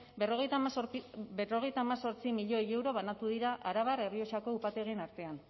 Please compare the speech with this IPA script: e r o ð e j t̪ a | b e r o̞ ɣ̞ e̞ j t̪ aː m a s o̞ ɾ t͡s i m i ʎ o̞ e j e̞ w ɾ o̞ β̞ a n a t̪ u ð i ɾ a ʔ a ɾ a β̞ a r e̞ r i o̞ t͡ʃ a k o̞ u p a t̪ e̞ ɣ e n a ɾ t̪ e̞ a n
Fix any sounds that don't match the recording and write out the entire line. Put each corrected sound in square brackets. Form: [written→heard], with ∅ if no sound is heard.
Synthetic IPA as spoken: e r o [ð→ɣ] e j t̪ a | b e r o̞ ɣ̞ e̞ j t̪ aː m a s o̞ ɾ t͡s i m i ʎ o̞ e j e̞ w ɾ o̞ β̞ a n a t̪ u ð i ɾ a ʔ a ɾ a β̞ a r e̞ r i o̞ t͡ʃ a k o̞ u p a t̪ e̞ ɣ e n a ɾ t̪ e̞ a n